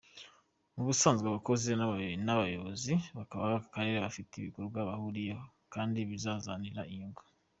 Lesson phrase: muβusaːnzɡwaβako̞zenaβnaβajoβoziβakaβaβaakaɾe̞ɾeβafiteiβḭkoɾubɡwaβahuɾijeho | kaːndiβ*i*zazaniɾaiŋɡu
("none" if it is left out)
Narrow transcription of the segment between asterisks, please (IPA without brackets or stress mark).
i